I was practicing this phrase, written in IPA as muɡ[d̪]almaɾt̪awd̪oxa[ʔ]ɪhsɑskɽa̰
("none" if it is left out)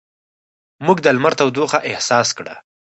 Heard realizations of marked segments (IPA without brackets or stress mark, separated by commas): d̪, ʔ